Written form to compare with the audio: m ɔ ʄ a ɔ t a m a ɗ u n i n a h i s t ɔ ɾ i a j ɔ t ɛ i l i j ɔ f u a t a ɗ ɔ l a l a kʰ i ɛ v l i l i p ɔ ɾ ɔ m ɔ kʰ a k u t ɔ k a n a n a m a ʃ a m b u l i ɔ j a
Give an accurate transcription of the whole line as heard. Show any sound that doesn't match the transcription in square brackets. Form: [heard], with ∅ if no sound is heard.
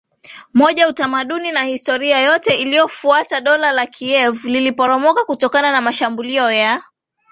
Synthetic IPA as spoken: m ɔ ʄ a [u] t a m a ɗ u n i n a h i s t ɔ ɾ i a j ɔ t ɛ i l i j ɔ f u a t a ɗ ɔ l a l a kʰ i ɛ v l i l i p ɔ ɾ ɔ m ɔ [k] a k u t ɔ k a n a n a m a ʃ a m b u l i ɔ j a